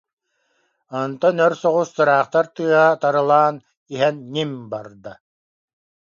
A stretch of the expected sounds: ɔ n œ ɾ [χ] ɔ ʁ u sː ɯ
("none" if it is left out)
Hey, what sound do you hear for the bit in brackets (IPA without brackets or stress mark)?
s